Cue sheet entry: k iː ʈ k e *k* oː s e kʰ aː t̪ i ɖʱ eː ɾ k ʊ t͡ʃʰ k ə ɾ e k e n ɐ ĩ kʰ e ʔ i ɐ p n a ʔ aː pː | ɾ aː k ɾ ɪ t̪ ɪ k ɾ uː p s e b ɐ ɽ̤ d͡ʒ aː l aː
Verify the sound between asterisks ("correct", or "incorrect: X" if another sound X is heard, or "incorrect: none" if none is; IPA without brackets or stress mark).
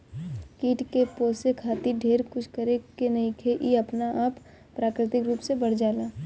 incorrect: p